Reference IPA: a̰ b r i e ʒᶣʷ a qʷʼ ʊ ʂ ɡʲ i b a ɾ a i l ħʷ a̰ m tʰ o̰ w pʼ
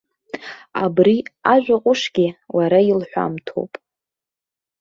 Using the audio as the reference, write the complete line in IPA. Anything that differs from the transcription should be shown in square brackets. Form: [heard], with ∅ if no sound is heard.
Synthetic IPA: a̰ b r i [a] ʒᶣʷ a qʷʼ ʊ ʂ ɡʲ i [w] a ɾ a i l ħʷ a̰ m tʰ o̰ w pʼ